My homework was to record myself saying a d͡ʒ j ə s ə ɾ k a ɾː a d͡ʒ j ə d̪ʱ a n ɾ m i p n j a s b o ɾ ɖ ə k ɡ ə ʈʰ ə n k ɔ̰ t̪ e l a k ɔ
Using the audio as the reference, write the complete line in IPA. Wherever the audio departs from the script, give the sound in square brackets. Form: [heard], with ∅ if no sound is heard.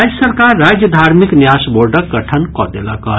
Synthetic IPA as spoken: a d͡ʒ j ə s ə ɾ k a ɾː a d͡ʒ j ə d̪ʱ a [∅] ɾ m i [k] n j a s b o ɾ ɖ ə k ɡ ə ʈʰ ə n k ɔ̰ [d̪] e l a k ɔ